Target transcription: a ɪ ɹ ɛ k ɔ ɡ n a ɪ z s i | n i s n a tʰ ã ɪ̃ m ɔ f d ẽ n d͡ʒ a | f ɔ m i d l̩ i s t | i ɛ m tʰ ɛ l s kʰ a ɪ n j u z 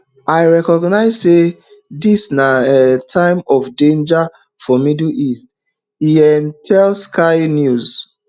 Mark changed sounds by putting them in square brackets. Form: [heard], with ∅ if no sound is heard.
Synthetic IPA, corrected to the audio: a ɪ ɹ ɛ k ɔ ɡ n a ɪ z s [e] | [d] i s n a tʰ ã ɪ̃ m ɔ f d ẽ n d͡ʒ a | f ɔ m i d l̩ i s t | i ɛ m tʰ ɛ l s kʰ a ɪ n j u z